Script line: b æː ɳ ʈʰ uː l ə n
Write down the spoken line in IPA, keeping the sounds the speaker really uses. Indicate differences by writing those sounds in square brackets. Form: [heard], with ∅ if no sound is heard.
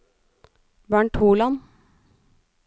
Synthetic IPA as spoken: b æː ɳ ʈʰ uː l [ɑ] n